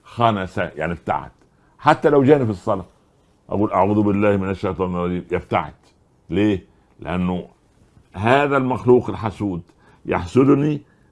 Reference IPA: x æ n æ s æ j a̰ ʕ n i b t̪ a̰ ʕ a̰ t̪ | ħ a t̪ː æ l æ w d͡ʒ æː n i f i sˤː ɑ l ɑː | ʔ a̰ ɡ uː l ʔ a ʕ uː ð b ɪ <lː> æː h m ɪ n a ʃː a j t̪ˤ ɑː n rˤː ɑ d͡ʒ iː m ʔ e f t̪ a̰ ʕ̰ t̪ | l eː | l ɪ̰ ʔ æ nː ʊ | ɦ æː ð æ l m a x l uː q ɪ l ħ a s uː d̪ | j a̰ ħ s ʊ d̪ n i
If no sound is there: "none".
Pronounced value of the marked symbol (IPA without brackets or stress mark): lː